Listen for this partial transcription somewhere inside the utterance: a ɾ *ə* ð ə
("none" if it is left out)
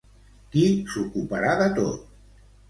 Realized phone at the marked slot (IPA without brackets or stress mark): a